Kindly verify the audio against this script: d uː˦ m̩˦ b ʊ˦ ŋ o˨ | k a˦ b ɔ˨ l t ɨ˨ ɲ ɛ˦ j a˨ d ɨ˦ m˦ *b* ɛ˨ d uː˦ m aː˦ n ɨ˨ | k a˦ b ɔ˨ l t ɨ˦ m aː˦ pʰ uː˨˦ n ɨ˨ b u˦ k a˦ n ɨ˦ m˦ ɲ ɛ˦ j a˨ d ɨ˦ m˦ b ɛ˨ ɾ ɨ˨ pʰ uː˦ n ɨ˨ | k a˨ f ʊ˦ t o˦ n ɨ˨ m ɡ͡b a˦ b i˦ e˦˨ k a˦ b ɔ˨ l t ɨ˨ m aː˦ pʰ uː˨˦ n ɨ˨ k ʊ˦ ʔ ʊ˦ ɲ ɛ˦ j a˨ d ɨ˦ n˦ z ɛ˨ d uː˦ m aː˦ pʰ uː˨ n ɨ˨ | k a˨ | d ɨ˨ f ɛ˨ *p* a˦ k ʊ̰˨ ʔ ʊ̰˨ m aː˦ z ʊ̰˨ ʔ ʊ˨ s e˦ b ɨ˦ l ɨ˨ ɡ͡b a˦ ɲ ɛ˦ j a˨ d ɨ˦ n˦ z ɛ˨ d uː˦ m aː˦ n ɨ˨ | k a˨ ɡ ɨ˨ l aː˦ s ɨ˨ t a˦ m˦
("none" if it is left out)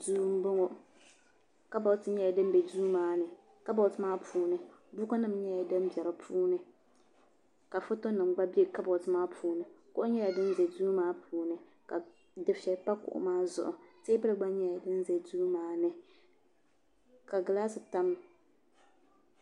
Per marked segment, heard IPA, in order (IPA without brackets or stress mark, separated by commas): b, p